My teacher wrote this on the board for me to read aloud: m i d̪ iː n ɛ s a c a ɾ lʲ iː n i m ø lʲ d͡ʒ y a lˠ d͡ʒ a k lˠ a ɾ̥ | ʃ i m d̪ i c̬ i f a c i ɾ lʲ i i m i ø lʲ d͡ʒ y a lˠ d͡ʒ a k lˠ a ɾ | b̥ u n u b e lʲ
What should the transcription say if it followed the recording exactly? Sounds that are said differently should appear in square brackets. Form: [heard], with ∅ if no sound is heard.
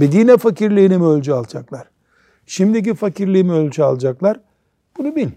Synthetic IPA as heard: [b] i d̪ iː n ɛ [f] a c [i] ɾ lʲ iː n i m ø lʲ d͡ʒ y a lˠ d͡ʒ a k lˠ a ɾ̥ | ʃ i m d̪ i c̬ i f a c i ɾ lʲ i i m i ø lʲ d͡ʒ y a lˠ d͡ʒ a k lˠ a ɾ | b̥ u n u b [i] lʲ